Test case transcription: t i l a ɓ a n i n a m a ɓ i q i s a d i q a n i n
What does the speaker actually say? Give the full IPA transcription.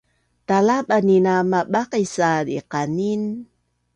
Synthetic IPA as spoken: t a l a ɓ a n i n a m a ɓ a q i s a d i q a n i n